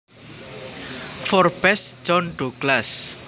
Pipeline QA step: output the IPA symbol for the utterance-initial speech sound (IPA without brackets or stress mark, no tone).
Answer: f